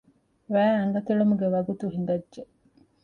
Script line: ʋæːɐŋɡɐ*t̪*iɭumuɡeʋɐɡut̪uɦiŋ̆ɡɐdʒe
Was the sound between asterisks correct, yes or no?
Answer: yes